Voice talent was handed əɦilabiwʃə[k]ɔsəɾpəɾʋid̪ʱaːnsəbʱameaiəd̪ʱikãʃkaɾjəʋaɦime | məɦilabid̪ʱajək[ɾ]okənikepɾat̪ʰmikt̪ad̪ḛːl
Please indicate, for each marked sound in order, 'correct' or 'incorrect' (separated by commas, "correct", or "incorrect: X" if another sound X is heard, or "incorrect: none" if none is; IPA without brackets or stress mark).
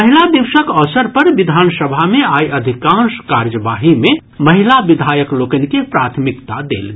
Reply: correct, incorrect: l